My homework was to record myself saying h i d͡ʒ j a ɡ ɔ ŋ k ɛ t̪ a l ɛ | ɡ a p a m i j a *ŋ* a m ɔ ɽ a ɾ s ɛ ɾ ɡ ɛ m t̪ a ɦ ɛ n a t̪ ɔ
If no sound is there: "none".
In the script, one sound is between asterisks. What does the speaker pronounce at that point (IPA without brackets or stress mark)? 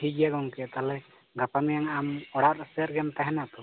ŋ